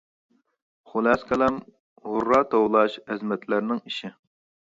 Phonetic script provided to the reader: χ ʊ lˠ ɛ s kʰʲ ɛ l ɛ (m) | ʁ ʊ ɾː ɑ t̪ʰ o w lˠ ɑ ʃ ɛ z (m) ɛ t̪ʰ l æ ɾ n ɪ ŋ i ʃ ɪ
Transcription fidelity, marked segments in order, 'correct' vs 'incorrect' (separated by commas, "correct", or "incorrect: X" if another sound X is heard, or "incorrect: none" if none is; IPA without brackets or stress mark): correct, correct